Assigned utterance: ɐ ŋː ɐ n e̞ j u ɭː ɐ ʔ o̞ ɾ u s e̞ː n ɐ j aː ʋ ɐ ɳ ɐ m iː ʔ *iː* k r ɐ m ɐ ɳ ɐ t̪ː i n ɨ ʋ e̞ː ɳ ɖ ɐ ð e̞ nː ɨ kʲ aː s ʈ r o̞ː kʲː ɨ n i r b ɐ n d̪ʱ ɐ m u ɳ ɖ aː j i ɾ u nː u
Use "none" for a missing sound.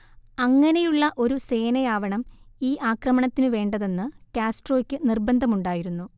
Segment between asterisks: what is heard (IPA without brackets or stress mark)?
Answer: aː